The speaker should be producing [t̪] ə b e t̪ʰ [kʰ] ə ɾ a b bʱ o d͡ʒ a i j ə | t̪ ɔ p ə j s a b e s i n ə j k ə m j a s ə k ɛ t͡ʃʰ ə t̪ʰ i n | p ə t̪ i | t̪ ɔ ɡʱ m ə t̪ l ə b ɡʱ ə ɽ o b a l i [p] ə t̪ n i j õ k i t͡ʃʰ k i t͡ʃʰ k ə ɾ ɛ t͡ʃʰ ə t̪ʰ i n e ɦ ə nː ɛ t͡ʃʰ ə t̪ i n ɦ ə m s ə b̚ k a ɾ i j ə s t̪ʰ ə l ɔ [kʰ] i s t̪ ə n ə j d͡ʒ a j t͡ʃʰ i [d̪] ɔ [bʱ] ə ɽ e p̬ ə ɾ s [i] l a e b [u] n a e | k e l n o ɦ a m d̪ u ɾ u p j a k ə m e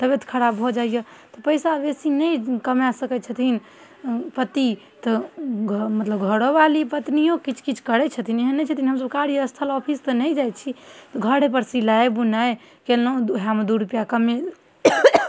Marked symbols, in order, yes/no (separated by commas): yes, yes, yes, no, no, no, yes, yes